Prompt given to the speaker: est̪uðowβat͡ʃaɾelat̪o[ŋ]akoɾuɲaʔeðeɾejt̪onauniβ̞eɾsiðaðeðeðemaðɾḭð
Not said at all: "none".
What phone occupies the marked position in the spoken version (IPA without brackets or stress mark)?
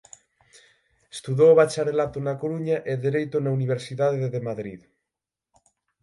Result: n